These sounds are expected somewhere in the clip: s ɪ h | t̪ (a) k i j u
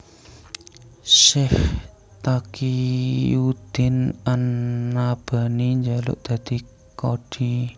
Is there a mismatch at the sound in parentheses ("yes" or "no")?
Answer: no